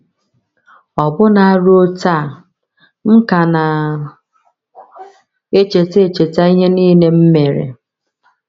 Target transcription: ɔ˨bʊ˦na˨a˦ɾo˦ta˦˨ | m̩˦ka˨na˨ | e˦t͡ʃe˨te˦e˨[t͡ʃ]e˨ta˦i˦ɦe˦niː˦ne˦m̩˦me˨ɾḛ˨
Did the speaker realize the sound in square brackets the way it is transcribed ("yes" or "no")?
yes